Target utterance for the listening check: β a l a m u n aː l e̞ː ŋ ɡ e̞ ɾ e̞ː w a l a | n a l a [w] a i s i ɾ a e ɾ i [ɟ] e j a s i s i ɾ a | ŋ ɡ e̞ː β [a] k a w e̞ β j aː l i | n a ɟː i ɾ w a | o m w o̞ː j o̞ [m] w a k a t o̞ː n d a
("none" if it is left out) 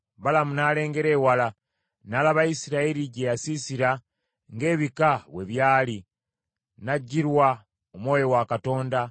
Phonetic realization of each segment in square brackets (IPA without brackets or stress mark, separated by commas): β, ɟ, i, none